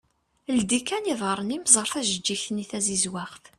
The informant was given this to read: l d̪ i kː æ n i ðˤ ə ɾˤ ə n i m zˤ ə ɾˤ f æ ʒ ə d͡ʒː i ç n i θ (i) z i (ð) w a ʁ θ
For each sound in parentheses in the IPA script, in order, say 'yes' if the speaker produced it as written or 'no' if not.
no, no

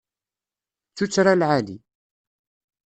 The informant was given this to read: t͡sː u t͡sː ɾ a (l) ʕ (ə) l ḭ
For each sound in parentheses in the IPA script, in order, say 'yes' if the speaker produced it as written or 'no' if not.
yes, no

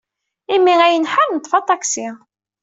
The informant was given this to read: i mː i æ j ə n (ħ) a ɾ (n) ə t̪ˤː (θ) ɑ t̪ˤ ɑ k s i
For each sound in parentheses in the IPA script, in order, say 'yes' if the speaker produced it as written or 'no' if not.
yes, yes, no

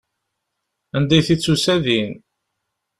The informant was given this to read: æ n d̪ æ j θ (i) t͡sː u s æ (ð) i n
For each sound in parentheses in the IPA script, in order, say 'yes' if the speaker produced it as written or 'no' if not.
yes, yes

